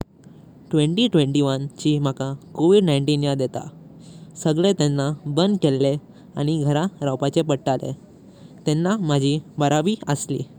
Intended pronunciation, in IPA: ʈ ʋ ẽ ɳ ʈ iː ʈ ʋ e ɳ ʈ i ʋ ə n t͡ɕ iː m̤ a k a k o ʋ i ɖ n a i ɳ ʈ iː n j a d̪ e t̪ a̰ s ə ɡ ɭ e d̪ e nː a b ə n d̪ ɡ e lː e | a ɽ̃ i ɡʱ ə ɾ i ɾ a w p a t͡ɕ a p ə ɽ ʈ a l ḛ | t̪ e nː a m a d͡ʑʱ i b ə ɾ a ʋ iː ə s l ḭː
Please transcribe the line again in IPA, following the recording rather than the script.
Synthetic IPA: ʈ ʋ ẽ ɳ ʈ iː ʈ ʋ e ɳ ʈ i ʋ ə n t͡ɕ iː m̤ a k a k o ʋ i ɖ n a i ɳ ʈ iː n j a d̪ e t̪ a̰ s ə ɡ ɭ e t̪ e nː a b ə n d̪ k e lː e | a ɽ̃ i ɡʱ ə ɾ a ɾ a w p a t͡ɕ e p ə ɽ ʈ a l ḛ | t̪ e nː a m a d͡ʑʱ i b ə ɾ a ʋ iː ə s l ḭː

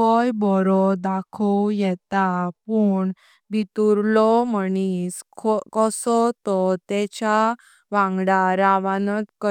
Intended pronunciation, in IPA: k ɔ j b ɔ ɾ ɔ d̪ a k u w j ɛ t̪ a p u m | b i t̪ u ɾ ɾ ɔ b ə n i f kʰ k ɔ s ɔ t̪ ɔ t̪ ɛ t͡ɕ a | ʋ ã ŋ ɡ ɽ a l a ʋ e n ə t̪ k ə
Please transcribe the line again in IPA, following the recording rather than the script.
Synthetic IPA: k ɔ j b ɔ ɾ ɔ d̪ a kʰ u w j ɛ t̪ a p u ɳ | b i t̪ u ɾ l ɔ m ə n i s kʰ k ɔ s ɔ t̪ ɔ t̪ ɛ t͡ɕ a | ʋ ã ŋ ɡ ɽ a ɾ a ʋ a n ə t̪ k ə

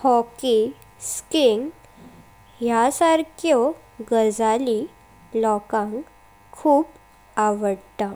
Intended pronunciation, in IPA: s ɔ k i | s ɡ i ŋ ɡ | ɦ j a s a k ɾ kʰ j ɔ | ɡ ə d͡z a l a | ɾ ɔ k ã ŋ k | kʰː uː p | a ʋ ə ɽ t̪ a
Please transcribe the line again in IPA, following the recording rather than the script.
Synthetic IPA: h ɔ k i | s k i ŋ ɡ | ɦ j a s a ɾ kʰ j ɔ | ɡ ə d͡z a l i | l ɔ k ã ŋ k | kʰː uː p | a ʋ ə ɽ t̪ a

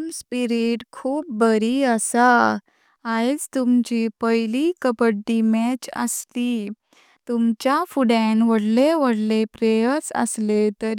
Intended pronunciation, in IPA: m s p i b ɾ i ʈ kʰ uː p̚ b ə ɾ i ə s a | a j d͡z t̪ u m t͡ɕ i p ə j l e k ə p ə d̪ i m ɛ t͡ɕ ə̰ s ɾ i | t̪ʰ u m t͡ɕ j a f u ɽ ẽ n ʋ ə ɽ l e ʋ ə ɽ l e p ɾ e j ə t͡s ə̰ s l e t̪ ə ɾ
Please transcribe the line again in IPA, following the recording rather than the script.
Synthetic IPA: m s p i ɾ i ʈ kʰ uː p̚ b ə ɾ i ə s a | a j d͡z t̪ u m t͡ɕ i p ə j l i k ə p ə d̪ i m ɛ t͡ɕ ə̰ s l i | t̪ u m t͡ɕ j a f u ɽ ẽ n ʋ ə ɽ l e ʋ ə ɽ l e p ɾ e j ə t͡s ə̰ s l e t̪ ə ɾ

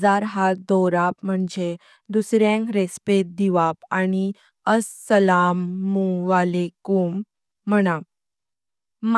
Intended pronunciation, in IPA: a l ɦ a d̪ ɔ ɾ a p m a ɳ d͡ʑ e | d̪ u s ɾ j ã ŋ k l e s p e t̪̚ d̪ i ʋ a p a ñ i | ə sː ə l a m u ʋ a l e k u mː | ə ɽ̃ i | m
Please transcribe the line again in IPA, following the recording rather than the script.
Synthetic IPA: a ɾ ɦ a d̪ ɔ ɾ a p m ə ɳ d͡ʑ e | d̪ u s ɾ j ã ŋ k ɾ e s p e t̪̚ d̪ i ʋ a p a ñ i | ə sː ə l a m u ʋ a l e k u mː | ə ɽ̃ a | m

